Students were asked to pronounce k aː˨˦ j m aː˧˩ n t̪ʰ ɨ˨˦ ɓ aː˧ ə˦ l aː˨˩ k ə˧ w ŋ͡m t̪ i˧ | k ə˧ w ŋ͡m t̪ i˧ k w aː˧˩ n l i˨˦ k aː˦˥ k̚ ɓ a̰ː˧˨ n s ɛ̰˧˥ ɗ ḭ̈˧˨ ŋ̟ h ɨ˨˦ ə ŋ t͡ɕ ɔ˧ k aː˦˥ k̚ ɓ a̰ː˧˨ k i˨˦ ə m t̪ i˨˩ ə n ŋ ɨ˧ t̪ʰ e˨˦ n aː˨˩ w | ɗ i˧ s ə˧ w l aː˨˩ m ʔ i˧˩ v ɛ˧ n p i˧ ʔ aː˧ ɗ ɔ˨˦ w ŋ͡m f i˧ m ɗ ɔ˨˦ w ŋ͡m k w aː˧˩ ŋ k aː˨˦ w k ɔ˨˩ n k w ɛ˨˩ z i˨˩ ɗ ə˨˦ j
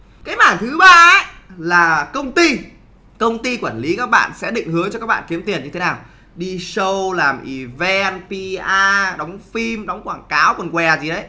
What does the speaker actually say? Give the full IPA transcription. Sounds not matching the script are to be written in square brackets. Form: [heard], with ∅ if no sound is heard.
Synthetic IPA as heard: k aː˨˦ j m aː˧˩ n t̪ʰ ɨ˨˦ ɓ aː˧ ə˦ l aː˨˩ k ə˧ w ŋ͡m t̪ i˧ | k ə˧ w ŋ͡m t̪ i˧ k w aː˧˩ n l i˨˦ k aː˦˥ k̚ ɓ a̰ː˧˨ n s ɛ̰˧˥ ɗ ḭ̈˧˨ ŋ̟ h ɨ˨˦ ə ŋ t͡ɕ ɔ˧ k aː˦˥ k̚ ɓ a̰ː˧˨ k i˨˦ ə m t̪ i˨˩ ə n [ɲ] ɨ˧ t̪ʰ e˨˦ n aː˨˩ w | ɗ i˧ s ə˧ w l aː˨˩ m ʔ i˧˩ v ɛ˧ n p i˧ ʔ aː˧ ɗ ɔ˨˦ w ŋ͡m f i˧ m ɗ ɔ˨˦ w ŋ͡m k w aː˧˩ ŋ k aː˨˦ w k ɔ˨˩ n k w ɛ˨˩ z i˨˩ ɗ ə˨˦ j